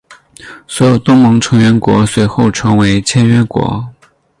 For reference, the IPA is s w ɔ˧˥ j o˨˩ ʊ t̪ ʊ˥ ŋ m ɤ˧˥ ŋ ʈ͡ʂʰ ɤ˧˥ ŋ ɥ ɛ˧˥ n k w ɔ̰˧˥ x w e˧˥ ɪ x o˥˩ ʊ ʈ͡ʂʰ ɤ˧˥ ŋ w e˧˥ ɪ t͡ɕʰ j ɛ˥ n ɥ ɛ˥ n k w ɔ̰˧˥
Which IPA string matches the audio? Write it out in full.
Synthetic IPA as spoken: s w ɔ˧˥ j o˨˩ ʊ t̪ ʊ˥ ŋ m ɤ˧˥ ŋ ʈ͡ʂʰ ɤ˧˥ ŋ ɥ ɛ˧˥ n k w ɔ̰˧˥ s w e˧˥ ɪ x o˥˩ ʊ ʈ͡ʂʰ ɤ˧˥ ŋ w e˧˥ ɪ t͡ɕʰ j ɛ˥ n ɥ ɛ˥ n k w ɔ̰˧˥